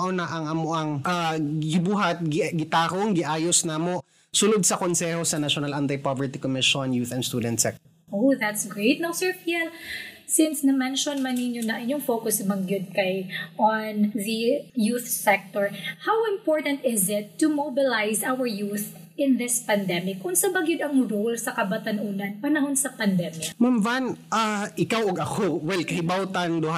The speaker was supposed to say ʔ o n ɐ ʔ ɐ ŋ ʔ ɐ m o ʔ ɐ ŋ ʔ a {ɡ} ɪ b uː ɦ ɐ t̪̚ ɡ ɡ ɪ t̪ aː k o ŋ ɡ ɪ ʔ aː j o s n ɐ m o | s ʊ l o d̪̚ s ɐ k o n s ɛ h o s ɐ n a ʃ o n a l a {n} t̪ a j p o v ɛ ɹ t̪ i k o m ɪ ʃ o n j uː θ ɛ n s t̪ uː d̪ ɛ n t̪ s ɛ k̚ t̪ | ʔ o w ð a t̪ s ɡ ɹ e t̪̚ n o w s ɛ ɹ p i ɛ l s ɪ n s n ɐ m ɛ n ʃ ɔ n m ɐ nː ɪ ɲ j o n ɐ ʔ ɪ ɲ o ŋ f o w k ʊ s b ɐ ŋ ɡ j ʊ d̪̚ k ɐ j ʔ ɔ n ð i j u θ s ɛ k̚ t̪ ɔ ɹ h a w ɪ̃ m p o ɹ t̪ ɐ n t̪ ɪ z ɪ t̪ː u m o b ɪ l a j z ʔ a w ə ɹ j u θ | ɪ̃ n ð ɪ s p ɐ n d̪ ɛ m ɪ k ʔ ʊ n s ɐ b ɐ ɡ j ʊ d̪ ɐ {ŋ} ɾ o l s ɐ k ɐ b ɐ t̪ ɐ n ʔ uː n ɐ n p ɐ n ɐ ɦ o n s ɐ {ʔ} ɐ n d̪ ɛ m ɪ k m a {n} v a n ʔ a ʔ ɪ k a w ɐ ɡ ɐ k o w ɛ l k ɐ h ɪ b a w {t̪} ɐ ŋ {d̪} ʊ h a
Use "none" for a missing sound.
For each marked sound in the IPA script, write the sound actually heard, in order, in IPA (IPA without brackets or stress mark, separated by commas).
ɡ, n, ŋ, p, m, t̪, d̪